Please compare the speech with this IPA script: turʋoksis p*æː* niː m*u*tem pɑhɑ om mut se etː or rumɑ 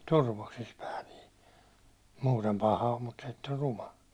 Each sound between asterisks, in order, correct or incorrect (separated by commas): correct, incorrect